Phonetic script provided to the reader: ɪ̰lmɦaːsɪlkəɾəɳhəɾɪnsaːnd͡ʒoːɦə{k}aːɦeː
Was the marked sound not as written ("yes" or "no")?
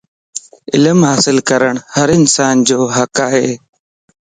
no